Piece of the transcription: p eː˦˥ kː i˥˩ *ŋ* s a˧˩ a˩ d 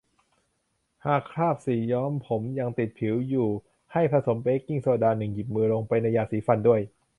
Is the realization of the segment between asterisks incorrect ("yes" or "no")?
no